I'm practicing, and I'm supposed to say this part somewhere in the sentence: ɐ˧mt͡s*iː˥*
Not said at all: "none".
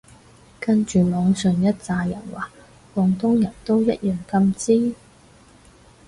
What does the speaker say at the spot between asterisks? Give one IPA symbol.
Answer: iː˥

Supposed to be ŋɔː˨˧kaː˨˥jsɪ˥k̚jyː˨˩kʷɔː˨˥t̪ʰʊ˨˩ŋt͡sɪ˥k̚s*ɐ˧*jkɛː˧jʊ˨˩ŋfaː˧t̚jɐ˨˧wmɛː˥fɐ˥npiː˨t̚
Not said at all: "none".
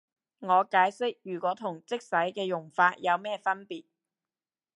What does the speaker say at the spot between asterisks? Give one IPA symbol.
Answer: ɐ˨˥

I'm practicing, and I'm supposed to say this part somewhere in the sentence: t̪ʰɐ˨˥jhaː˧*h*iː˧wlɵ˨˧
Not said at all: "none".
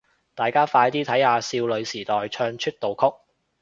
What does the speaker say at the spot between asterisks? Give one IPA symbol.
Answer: s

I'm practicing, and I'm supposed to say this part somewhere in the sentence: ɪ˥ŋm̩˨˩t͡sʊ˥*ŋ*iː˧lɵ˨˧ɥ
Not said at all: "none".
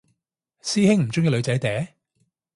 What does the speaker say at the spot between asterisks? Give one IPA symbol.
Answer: ŋ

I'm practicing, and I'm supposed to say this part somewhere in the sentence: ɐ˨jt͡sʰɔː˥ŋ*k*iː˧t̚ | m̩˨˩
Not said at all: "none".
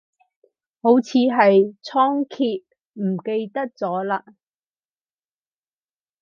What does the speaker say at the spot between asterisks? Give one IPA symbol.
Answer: kʰ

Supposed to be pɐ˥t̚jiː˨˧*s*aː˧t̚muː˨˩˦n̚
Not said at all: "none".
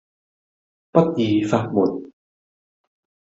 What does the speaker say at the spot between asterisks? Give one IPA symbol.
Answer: f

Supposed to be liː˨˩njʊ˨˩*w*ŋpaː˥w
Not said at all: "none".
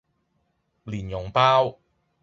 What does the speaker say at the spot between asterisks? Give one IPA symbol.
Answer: none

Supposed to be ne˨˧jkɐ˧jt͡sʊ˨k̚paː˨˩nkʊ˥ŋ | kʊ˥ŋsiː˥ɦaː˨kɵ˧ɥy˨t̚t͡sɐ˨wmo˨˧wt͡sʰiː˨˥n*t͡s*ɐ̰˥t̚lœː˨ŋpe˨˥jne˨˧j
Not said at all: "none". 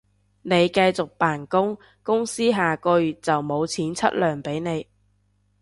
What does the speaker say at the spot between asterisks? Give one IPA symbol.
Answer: t͡sʰ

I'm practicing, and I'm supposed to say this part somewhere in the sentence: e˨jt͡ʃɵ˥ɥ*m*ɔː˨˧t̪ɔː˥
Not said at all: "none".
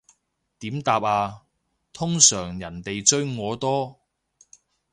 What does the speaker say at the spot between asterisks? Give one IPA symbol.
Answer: ŋ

